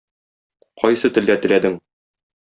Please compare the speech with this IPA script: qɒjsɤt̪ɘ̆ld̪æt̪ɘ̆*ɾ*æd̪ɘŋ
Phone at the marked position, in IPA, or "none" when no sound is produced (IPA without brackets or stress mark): l